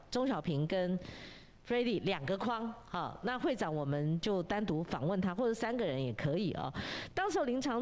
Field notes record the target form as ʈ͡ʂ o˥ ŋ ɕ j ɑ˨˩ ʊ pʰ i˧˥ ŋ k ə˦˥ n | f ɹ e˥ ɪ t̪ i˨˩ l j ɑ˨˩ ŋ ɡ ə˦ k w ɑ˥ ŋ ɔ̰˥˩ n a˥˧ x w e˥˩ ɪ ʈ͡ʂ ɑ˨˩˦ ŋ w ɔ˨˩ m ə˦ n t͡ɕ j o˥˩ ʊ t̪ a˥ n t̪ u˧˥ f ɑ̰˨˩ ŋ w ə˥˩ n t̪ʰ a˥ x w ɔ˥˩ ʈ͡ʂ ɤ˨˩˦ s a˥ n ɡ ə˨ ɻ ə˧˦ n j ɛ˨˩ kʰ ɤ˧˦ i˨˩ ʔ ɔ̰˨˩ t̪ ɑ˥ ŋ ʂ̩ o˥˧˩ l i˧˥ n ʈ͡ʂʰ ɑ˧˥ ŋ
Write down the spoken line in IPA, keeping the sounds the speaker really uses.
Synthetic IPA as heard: ʈ͡ʂ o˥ ŋ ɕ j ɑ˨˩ ʊ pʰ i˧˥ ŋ k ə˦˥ n | f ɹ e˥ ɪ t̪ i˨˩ l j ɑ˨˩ ŋ ɡ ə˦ kʰ w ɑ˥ ŋ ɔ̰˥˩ n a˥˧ x w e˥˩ ɪ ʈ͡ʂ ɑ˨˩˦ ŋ w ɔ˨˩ m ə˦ n t͡ɕ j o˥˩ ʊ t̪ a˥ n t̪ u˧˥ f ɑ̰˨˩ ŋ w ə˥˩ n t̪ʰ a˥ x w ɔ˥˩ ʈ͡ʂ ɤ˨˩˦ s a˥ n ɡ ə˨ ɻ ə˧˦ n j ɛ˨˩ kʰ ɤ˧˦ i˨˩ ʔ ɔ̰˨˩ t̪ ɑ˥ ŋ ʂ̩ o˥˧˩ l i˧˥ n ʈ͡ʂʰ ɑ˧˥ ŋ